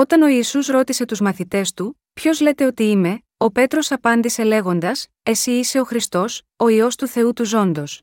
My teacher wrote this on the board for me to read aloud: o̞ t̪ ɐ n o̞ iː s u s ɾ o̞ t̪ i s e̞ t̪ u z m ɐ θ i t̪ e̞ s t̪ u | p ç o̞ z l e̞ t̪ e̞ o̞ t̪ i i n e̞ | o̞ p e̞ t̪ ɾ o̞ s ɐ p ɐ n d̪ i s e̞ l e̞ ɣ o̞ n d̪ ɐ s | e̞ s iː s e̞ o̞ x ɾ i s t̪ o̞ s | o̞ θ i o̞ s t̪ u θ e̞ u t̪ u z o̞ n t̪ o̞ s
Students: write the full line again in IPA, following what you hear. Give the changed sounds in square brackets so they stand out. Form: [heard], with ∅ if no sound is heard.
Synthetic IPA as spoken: o̞ t̪ ɐ n o̞ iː s u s ɾ o̞ t̪ i s e̞ t̪ u z m ɐ θ i t̪ e̞ s t̪ u | p ç o̞ z l e̞ t̪ e̞ o̞ t̪ i i [m] e̞ | o̞ p e̞ t̪ ɾ o̞ s ɐ p ɐ n d̪ i s e̞ l e̞ ɣ o̞ n d̪ ɐ s | e̞ s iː s e̞ o̞ x ɾ i s t̪ o̞ s | o̞ [∅] i o̞ s t̪ u θ e̞ u t̪ u z o̞ n [d̪] o̞ s